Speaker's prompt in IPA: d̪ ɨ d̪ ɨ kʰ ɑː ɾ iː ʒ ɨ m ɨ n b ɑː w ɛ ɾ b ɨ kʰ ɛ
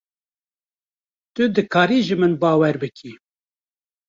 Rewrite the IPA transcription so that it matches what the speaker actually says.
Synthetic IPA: t̪ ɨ d̪ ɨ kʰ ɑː ɾ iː ʒ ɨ m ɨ n b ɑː w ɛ ɾ b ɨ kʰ i